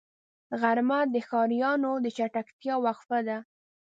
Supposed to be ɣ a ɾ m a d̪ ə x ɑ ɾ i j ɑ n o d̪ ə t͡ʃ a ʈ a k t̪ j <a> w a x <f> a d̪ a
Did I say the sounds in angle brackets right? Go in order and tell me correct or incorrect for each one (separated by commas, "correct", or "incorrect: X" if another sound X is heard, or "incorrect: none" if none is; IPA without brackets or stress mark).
incorrect: ɑ, correct